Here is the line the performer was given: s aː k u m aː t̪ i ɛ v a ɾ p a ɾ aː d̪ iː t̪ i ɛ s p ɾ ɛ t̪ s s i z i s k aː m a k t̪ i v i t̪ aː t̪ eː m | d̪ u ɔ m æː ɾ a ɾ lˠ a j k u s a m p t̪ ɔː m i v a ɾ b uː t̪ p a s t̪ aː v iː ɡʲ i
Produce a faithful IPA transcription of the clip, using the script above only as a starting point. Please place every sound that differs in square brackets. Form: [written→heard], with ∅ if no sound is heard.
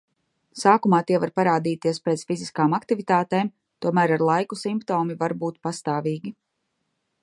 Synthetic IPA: s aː k u m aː t̪ i ɛ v a ɾ p a ɾ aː d̪ iː t̪ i ɛ s p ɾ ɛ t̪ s [s→f] i z i s k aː m a k t̪ i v i t̪ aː t̪ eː m | [d̪→t̪] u ɔ m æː ɾ a ɾ lˠ a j k u s [a→i] m p t̪ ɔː m i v a ɾ b uː t̪ p a s t̪ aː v iː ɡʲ i